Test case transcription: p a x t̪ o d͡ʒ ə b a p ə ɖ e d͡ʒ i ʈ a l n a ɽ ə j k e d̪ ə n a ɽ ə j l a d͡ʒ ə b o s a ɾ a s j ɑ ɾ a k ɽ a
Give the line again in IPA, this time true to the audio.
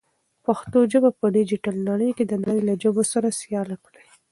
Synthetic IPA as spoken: p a x t̪ o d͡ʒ ə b a p ə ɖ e d͡ʒ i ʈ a l n a ɽ ə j k e d̪ ə n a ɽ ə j l a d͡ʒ ə b o s a ɾ a s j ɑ l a k ɽ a